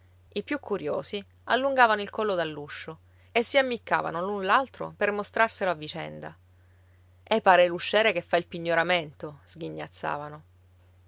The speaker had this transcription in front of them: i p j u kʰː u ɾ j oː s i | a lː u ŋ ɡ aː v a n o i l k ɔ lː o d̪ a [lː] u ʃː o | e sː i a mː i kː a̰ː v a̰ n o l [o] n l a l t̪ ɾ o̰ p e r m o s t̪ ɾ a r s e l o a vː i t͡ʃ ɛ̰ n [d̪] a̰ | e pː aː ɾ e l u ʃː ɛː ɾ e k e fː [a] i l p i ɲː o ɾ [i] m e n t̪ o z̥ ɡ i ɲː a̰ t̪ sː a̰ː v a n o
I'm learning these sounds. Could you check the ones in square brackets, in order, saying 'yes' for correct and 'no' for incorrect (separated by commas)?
yes, no, yes, yes, no